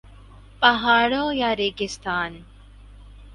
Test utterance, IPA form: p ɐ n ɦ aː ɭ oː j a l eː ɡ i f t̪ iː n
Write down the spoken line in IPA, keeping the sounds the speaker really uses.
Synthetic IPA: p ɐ ɦ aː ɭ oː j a ɾ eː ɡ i s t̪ aː n